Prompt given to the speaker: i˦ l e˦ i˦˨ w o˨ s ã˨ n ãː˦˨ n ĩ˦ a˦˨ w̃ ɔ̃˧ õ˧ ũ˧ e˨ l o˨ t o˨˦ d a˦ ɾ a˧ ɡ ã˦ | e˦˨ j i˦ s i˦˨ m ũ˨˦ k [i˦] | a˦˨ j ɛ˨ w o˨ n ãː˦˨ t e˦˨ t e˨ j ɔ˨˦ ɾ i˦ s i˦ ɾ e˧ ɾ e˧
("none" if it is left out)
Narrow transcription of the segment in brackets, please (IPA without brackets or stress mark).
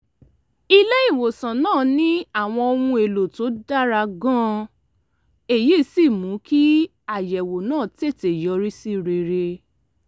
i˦